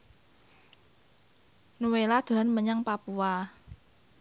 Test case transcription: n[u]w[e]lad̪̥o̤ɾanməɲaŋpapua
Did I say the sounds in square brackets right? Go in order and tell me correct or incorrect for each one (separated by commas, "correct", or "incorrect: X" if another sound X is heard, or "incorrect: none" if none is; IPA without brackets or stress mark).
correct, correct